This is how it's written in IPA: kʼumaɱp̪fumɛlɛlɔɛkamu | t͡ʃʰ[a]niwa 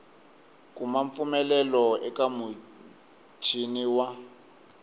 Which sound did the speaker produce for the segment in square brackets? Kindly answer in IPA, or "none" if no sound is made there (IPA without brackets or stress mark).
i